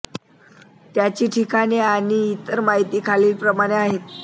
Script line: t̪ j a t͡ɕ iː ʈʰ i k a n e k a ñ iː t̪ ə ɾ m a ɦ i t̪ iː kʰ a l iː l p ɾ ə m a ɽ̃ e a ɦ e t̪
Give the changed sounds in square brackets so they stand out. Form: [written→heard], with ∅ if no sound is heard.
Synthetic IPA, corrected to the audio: t̪ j a t͡ɕ iː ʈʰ i k a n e [k→∅] a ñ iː t̪ ə ɾ m a ɦ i t̪ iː kʰ a l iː l p ɾ ə m a ɽ̃ e a ɦ e t̪